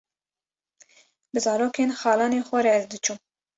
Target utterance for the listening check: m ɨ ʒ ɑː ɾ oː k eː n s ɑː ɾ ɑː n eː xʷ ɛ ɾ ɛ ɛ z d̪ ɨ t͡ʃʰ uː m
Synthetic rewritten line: b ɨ z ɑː ɾ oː k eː n x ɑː l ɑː n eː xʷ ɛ ɾ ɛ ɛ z d̪ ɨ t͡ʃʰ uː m